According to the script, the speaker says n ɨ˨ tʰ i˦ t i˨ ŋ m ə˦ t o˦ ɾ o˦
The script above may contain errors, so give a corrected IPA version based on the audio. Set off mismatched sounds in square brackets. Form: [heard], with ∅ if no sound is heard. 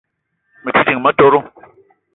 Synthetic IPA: [m] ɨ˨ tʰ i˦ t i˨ ŋ m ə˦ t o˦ ɾ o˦